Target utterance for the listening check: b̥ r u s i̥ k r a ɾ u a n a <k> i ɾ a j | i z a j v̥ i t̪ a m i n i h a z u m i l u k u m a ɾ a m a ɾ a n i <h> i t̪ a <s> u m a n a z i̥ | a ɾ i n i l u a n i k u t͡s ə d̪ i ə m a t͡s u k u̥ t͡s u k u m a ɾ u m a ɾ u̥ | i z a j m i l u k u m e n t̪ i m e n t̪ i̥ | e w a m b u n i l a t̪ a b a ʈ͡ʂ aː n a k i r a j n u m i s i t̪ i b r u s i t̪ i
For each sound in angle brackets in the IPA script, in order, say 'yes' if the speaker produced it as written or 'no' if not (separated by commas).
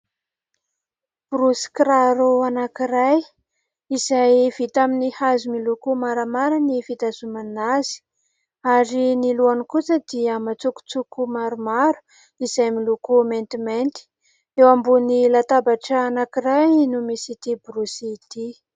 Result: yes, no, no